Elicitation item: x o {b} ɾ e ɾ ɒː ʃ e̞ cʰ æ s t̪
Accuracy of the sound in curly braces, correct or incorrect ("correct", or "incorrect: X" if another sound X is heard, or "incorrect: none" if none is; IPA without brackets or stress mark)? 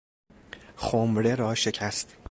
incorrect: m